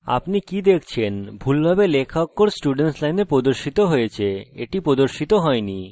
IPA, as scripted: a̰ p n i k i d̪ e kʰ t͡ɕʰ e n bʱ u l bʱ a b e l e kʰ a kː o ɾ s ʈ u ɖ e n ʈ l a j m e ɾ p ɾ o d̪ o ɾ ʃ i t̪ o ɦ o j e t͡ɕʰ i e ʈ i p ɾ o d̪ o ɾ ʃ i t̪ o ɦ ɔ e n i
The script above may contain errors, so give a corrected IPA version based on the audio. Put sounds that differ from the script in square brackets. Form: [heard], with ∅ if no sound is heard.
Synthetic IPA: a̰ p n i k i d̪ e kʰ t͡ɕʰ e n bʱ u l bʱ a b e l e kʰ a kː o ɾ s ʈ u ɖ e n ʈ l a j [n] e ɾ p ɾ o d̪ o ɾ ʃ i t̪ o ɦ o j e t͡ɕʰ [e] e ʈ i p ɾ o d̪ o ɾ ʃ i t̪ o ɦ ɔ e n i